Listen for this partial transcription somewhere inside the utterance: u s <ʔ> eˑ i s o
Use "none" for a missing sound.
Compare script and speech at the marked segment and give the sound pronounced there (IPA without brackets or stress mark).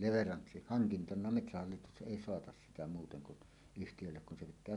ʔ